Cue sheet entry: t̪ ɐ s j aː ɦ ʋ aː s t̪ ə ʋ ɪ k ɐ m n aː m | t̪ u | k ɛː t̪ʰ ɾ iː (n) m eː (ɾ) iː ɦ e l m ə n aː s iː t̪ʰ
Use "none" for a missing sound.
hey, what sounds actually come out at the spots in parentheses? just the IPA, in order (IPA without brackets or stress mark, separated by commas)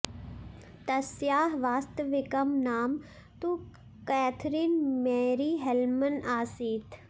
n, ɾ